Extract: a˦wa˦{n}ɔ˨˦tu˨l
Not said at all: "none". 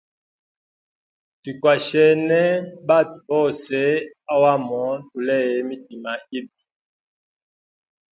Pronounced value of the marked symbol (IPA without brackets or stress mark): m